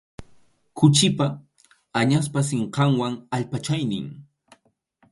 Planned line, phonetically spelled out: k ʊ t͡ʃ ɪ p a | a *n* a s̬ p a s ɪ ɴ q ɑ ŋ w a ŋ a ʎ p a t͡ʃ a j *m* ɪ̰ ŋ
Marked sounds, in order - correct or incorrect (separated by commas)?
incorrect, incorrect